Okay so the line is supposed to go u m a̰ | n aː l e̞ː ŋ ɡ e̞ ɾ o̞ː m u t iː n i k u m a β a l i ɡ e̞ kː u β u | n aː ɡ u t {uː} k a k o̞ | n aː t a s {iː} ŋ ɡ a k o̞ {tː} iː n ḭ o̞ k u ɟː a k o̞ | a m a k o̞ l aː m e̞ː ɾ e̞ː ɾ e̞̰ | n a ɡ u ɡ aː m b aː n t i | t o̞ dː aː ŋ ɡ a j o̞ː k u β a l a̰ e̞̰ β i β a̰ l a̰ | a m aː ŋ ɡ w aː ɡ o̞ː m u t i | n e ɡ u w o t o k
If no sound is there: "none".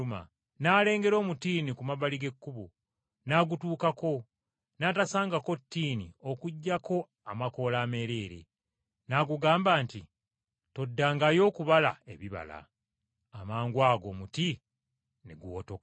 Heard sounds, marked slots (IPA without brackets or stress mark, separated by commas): uː, aː, tː